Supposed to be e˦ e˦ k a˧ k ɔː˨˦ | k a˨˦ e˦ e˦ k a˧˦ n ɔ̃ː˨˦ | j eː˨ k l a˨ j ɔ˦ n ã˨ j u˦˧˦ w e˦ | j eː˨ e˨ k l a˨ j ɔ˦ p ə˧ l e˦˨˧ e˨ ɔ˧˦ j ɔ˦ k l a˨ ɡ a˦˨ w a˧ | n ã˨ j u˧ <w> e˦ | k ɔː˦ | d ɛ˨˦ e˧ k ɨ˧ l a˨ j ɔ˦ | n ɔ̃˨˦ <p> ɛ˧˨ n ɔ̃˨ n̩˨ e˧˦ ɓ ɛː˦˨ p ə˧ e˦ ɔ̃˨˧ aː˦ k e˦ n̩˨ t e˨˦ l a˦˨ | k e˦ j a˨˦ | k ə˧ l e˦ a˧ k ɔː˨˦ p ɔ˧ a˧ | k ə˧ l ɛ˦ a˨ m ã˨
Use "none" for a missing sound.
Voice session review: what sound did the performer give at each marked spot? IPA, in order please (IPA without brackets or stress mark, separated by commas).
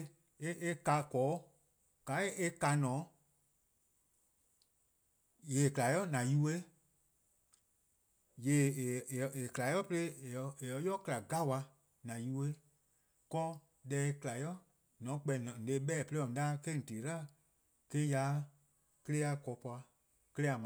w, k͡p